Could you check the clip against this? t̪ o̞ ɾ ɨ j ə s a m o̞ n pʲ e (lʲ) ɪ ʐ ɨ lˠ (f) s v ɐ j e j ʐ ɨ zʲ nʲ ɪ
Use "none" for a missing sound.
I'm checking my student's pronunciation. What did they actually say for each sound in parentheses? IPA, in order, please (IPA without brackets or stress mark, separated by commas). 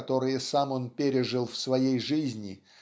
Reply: ɾʲ, f